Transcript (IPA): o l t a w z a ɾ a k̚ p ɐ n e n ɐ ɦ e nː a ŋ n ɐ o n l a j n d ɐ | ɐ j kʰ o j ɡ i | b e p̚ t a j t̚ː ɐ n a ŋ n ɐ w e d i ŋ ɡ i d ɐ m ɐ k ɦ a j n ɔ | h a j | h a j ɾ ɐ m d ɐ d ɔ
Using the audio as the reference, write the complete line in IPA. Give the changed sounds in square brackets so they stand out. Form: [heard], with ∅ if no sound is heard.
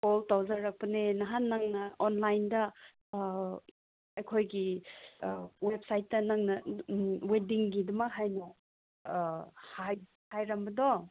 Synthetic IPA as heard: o l t a w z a ɾ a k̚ p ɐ n e n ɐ ɦ [a] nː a ŋ n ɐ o n l a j n d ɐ | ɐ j kʰ o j ɡ i | [w] e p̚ [s] a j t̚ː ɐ n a ŋ n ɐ w e d i ŋ ɡ i d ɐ m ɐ k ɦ a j n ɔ | h a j | h a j ɾ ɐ m [b] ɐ d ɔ